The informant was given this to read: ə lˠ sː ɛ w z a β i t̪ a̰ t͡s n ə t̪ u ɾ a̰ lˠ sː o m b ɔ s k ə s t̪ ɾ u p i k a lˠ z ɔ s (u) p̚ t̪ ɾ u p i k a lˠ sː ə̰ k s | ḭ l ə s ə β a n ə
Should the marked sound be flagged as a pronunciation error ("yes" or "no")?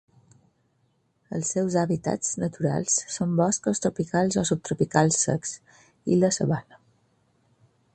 no